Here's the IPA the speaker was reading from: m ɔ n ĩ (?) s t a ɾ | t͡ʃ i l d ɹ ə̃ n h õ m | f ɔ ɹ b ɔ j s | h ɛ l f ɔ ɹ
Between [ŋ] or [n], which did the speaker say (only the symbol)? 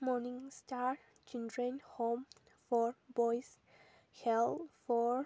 ŋ